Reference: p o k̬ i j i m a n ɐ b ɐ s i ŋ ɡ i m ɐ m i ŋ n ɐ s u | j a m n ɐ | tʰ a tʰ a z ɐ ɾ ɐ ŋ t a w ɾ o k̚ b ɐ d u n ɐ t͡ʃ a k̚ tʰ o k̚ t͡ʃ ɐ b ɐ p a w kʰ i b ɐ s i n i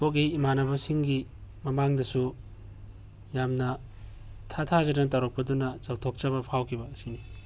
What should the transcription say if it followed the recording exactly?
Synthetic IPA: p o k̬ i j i m a n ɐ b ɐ s i ŋ ɡ i m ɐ m a ŋ d ɐ s u | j a m n ɐ | tʰ a tʰ a z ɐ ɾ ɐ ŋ t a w ɾ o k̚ p ɐ d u n ɐ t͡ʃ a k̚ tʰ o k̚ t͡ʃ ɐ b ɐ pʰ a w kʰ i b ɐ s i n i